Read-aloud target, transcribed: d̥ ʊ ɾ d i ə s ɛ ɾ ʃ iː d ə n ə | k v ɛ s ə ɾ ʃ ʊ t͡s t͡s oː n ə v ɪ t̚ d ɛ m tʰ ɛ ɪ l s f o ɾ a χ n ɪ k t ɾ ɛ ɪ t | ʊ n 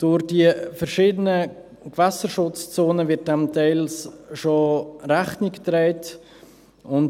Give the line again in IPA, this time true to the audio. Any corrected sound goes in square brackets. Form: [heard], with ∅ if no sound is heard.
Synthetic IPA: d̥ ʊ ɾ d i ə [f] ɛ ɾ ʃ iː d ə n ə | k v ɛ s ə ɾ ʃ ʊ t͡s t͡s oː n ə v ɪ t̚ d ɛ m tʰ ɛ ɪ l s [ʃ] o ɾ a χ n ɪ k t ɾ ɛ ɪ t | ʊ n